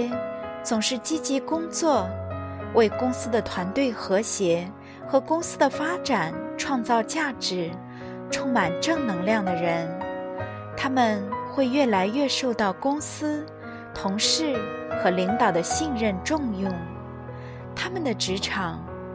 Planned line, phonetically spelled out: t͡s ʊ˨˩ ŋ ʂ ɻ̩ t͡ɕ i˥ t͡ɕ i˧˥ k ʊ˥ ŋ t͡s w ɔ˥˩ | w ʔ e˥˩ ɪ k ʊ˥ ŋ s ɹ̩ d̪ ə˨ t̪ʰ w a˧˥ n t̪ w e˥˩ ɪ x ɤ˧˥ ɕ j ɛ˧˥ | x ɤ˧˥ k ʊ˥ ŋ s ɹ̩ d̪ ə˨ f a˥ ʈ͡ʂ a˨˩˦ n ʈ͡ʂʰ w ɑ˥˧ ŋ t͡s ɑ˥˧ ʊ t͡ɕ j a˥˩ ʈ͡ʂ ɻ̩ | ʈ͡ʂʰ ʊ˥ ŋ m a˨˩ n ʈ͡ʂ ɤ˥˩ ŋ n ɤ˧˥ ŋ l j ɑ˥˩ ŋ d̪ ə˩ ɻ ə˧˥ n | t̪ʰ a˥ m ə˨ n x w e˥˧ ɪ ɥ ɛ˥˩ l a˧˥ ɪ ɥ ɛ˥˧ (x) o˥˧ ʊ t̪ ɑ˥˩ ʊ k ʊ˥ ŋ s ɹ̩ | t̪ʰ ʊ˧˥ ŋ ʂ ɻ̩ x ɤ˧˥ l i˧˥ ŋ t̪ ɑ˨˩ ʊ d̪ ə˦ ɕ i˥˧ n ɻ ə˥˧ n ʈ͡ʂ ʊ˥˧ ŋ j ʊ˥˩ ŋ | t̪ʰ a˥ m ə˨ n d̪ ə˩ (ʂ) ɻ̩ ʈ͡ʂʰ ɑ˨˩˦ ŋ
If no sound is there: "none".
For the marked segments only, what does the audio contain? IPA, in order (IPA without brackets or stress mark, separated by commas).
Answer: ʂ, ʈ͡ʂ